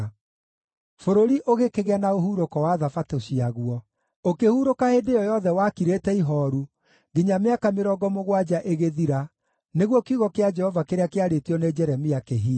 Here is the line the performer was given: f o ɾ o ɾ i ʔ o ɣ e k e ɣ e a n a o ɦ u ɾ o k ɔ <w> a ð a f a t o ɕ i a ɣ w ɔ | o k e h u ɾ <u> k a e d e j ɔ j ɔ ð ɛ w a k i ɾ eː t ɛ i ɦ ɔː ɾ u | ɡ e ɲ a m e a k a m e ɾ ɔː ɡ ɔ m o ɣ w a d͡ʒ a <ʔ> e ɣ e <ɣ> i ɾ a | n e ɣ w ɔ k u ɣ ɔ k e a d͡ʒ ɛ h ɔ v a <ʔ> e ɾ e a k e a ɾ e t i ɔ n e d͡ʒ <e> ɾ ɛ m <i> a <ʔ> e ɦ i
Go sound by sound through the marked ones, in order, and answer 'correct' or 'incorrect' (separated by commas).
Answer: correct, incorrect, correct, incorrect, incorrect, incorrect, correct, incorrect